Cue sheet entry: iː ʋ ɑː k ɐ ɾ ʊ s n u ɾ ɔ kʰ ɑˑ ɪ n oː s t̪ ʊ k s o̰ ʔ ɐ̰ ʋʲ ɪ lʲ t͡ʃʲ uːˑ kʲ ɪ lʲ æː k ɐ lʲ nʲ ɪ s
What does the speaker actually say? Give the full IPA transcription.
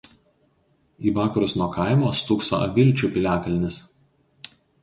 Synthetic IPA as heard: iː ʋ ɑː k ɐ ɾ ʊ s n u ɔ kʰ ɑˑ ɪ m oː s t̪ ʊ k s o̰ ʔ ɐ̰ ʋʲ ɪ lʲ t͡ʃʲ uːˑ pʲ ɪ lʲ æː k ɐ lʲ nʲ ɪ s